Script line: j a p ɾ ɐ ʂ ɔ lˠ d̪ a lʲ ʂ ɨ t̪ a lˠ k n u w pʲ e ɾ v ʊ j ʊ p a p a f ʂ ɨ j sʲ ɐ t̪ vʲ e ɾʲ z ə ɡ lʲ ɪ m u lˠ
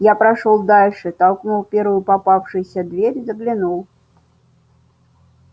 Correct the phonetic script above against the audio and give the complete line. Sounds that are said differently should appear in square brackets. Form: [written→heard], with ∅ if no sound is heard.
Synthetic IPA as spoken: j a p ɾ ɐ ʂ ɔ lˠ d̪ a lʲ ʂ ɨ t̪ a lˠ k n u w pʲ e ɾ v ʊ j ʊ p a p a f ʂ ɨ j sʲ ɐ [t̪→d̪] vʲ e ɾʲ z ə ɡ lʲ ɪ [m→n] u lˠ